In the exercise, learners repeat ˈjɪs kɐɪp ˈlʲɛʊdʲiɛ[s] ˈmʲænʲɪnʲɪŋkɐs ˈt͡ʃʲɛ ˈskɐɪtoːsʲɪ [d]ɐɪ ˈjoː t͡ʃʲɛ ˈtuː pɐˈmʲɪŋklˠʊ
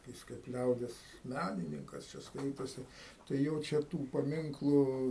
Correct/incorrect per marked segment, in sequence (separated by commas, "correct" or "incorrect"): correct, incorrect